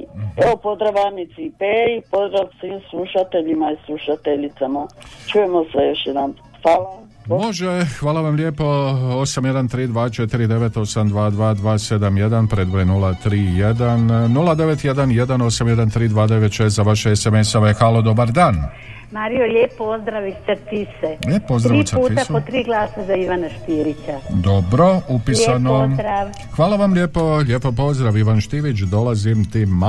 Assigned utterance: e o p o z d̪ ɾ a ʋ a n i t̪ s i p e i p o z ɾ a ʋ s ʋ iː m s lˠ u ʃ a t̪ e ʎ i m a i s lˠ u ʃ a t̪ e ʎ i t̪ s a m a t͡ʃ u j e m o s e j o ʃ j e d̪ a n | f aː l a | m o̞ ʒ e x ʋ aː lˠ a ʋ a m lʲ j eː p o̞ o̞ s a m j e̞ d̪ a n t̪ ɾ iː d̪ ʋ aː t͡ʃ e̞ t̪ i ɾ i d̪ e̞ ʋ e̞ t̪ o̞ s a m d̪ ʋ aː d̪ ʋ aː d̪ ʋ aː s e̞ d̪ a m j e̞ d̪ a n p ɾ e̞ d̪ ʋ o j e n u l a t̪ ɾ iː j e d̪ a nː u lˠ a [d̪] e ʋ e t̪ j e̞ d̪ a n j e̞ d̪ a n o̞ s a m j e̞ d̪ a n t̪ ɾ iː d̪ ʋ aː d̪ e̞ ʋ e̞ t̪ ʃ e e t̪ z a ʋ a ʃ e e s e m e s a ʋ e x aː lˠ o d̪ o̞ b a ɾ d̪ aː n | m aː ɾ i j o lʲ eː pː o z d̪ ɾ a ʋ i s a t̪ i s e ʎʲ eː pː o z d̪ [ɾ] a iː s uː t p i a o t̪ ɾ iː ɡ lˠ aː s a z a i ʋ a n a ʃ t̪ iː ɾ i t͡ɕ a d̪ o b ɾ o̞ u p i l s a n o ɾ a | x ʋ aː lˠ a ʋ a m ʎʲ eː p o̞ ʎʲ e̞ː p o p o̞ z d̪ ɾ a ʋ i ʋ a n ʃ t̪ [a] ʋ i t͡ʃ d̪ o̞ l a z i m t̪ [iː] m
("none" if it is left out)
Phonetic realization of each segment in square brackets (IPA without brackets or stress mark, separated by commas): d̪, ɾ, i, i